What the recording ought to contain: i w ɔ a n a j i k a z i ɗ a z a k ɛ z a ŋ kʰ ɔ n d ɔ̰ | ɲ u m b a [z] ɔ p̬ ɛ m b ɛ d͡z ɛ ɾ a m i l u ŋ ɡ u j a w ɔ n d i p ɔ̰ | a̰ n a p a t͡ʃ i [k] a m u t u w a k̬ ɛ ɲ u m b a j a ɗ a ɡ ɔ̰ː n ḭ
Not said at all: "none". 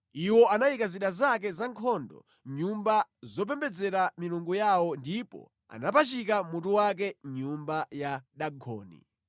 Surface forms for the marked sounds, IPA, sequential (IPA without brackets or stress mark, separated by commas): z, k